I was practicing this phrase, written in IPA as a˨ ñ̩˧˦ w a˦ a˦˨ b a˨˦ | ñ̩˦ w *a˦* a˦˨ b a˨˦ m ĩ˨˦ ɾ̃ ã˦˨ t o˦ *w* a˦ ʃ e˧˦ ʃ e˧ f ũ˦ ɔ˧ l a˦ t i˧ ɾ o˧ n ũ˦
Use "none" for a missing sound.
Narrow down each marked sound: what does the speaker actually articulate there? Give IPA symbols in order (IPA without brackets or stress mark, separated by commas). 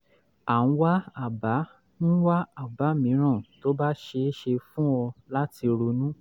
a˦, b